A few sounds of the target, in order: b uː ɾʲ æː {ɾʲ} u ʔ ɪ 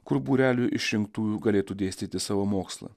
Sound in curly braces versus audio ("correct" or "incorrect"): incorrect